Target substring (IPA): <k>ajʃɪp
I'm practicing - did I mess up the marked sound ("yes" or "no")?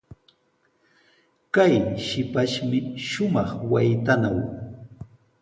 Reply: no